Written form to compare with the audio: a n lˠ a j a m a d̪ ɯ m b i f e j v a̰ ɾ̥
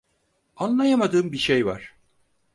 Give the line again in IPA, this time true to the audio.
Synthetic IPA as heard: a n lˠ a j a m a d̪ ɯː m b i ʃ e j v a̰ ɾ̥